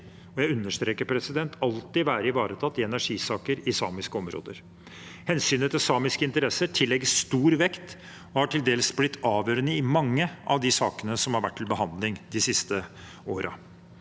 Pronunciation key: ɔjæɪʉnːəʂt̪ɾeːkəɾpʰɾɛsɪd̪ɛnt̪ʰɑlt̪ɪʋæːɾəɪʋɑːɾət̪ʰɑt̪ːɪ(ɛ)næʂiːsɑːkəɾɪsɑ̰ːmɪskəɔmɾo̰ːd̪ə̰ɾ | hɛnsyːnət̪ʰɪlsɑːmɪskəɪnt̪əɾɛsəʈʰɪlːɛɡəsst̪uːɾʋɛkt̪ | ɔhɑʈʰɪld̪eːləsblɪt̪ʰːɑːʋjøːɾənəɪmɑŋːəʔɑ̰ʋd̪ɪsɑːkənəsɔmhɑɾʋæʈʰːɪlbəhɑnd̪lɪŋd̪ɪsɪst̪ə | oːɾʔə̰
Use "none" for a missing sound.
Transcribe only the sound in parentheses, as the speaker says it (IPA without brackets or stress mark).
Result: ɛ